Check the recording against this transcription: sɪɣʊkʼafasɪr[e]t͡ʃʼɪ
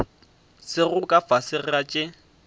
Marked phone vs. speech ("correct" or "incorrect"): incorrect